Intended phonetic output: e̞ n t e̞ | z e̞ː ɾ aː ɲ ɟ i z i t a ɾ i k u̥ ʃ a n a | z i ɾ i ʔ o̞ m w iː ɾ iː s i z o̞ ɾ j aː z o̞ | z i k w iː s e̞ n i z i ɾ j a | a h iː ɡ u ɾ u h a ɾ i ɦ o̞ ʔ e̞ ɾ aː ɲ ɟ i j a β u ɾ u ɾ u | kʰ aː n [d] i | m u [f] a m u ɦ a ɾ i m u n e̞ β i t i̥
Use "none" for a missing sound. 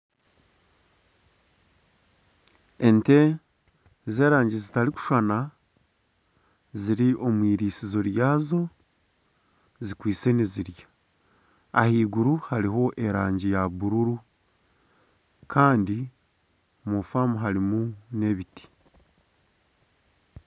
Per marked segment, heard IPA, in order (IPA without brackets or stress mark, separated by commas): d, f